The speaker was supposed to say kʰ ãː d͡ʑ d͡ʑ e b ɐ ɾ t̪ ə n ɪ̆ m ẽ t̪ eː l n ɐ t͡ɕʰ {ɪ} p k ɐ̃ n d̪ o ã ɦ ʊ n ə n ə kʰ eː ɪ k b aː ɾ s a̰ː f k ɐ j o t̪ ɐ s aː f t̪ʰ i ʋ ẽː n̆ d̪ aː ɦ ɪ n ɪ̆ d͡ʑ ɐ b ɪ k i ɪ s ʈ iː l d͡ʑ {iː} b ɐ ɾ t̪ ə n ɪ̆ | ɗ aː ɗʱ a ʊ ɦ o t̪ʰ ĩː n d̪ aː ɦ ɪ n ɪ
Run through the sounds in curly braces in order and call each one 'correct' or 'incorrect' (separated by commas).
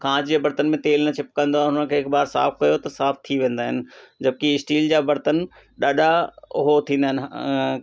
correct, incorrect